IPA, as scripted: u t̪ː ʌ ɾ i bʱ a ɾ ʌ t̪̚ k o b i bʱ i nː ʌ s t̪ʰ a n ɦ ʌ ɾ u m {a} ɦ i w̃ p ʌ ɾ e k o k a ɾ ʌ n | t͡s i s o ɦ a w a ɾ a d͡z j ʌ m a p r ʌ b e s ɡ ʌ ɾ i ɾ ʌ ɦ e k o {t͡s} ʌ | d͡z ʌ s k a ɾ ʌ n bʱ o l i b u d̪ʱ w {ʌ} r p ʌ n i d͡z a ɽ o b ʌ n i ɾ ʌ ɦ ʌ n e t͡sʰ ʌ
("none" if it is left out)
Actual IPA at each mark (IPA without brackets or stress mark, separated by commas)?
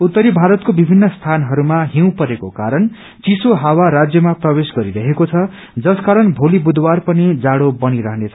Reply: a, t͡sʰ, a